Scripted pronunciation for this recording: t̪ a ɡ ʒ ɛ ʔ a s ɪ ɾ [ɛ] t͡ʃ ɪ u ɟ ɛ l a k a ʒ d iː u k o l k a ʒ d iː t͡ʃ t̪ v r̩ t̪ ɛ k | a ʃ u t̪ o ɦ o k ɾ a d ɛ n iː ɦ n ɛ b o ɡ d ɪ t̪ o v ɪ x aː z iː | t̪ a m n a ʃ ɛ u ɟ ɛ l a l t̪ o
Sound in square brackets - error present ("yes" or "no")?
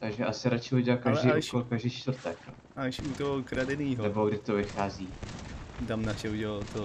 yes